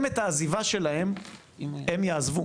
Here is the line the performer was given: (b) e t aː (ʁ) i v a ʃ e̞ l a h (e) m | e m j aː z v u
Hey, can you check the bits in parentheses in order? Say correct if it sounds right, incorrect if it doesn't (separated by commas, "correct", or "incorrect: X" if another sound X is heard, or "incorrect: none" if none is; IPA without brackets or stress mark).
incorrect: m, incorrect: z, correct